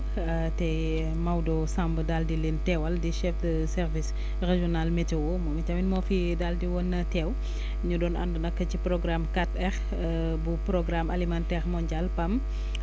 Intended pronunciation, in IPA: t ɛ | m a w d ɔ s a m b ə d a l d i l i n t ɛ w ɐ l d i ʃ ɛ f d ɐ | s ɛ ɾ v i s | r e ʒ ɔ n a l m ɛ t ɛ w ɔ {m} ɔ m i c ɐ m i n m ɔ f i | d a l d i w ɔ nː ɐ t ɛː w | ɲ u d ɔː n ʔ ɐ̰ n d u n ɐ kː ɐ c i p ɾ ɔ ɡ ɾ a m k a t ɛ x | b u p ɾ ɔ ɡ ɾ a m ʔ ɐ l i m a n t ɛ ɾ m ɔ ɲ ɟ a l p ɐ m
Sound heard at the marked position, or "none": m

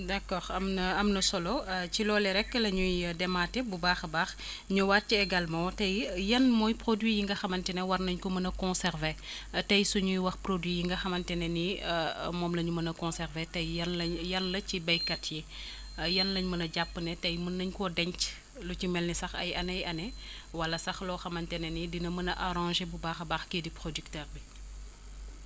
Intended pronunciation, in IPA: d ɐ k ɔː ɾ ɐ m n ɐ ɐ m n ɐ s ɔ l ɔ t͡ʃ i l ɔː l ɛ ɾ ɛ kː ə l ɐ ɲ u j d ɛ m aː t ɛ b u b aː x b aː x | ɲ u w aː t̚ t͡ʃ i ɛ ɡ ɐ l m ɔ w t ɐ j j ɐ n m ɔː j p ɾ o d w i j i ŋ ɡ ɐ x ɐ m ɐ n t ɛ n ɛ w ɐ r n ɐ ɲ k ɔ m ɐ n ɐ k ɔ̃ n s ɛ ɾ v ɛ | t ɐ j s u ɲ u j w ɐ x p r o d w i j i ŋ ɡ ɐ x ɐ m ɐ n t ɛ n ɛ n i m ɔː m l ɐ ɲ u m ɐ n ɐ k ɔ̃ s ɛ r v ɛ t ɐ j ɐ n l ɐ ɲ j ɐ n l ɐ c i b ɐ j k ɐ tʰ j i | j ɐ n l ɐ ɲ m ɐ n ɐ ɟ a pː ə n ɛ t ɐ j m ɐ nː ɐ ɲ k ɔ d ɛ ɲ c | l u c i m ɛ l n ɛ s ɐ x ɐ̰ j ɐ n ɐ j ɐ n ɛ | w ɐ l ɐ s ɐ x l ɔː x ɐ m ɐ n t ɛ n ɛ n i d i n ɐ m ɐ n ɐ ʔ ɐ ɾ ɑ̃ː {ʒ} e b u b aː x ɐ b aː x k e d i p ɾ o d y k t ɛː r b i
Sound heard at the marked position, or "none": ʒ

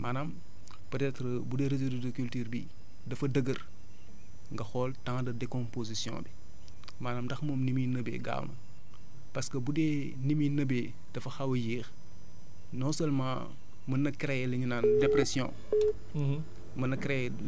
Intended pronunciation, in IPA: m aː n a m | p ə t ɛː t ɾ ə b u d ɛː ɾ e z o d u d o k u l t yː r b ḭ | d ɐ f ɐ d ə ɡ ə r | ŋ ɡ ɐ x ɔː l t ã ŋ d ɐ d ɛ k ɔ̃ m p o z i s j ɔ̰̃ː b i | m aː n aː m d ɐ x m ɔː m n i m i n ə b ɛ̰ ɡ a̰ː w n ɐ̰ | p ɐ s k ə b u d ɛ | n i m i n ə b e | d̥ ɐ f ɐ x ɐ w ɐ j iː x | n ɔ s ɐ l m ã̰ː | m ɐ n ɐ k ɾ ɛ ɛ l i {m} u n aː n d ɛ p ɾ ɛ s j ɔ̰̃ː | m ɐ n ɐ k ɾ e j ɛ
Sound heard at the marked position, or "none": ɲ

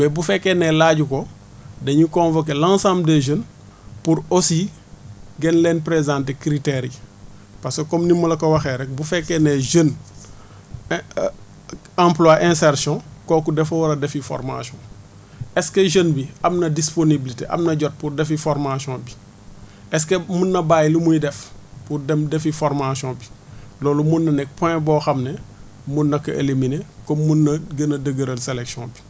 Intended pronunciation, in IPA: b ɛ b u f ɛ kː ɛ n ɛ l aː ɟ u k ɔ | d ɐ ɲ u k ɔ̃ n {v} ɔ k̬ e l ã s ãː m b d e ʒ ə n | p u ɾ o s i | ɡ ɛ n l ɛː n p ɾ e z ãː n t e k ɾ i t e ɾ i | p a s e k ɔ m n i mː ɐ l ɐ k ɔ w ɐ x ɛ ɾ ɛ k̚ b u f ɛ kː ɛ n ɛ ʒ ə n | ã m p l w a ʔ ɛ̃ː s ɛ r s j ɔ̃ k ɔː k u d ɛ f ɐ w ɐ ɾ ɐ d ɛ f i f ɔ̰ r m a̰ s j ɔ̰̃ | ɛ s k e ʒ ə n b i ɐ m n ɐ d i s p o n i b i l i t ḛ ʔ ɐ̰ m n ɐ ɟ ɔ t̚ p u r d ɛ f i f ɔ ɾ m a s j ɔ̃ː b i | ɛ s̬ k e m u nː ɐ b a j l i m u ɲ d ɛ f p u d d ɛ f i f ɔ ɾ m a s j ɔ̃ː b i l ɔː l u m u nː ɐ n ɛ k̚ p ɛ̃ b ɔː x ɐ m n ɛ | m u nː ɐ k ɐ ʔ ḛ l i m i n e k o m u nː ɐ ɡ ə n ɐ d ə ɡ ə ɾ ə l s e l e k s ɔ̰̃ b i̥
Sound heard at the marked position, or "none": v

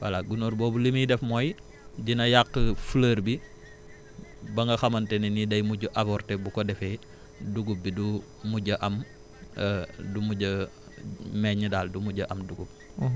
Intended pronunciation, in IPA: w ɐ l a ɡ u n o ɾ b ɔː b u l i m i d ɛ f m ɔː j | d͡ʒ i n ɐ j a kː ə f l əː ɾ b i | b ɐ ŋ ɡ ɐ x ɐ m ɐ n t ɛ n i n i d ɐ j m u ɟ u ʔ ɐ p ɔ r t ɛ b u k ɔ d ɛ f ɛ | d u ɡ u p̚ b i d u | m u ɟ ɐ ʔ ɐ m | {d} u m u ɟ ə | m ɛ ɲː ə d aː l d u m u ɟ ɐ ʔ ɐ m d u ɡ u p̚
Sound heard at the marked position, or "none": d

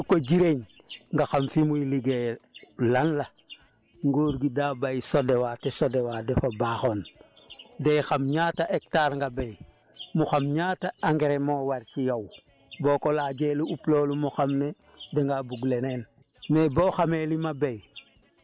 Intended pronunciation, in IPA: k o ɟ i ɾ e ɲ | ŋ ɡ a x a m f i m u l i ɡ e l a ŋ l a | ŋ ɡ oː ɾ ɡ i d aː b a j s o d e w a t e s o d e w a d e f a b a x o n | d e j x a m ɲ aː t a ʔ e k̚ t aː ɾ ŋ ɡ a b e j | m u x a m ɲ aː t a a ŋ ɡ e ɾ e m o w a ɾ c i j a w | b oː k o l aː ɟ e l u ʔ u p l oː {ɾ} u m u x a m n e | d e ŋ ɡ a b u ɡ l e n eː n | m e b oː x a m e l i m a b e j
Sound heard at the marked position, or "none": l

